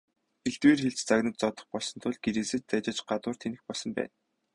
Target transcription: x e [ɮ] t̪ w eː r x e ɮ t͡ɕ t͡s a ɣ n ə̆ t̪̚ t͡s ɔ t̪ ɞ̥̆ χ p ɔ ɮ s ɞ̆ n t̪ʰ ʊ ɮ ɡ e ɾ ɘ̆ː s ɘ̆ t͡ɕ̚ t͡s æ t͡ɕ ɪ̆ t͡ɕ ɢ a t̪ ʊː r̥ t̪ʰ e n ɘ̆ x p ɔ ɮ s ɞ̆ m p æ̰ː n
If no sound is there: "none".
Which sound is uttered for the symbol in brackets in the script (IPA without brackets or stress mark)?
ɮ